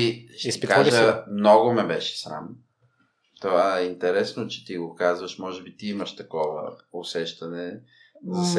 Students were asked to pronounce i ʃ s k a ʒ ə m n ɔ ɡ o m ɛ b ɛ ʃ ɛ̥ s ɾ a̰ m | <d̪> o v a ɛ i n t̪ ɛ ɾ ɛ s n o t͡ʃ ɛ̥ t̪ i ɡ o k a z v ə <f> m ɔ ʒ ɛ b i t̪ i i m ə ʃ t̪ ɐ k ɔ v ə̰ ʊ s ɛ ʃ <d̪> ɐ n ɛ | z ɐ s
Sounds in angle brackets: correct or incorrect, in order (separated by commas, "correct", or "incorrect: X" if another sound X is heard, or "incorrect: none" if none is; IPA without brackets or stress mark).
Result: incorrect: t̪, incorrect: ʃ, incorrect: t̪